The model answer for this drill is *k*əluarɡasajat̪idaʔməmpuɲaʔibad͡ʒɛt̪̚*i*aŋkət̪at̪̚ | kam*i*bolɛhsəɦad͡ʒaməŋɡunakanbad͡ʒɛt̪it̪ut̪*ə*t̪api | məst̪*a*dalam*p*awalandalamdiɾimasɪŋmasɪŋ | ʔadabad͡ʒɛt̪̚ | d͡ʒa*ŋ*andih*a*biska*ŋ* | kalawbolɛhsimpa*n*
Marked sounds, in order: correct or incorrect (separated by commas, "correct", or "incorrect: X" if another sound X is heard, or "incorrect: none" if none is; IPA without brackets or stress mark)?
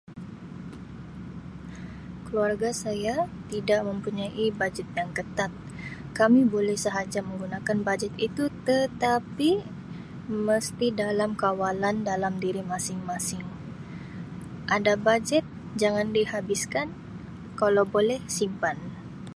correct, incorrect: j, correct, correct, incorrect: i, incorrect: k, correct, correct, incorrect: n, correct